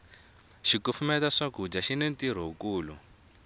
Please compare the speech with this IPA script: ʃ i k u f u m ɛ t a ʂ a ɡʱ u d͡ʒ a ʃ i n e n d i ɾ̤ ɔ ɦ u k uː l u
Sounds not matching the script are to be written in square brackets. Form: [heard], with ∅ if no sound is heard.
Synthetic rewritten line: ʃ i k u f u m ɛ t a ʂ a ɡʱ u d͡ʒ a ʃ i n e n [t] i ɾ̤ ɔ ɦ u k uː l u